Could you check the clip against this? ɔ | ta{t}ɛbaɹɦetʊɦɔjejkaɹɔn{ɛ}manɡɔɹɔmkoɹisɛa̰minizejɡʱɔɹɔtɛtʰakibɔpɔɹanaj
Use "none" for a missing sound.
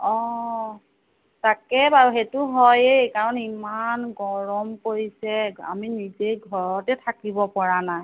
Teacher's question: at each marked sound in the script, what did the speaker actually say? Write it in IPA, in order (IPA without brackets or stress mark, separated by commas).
k, i